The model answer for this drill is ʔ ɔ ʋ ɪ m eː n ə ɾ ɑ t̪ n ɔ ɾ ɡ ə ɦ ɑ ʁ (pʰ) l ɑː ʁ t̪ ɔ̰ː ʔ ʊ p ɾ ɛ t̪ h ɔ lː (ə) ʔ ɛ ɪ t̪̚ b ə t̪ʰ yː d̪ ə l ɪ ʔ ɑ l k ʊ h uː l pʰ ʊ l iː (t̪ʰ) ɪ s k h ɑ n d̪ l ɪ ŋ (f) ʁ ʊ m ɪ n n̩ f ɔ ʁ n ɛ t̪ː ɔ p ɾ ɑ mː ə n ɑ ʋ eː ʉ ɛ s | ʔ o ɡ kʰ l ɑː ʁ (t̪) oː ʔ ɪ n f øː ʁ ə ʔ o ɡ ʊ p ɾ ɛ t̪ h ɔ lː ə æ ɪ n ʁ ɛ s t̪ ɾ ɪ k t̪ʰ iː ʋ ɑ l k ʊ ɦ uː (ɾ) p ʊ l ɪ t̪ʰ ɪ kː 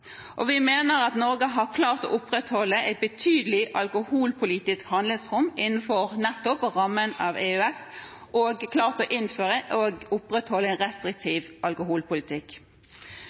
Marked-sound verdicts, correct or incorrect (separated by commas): incorrect, correct, incorrect, incorrect, correct, incorrect